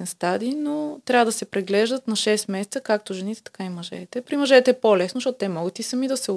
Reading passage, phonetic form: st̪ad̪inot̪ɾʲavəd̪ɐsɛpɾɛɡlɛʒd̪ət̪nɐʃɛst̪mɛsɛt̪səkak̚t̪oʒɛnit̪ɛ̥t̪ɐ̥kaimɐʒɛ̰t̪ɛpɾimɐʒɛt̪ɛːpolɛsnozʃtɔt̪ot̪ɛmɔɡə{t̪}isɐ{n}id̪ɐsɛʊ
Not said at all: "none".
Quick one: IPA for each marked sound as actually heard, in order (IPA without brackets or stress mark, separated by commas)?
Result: t̪, m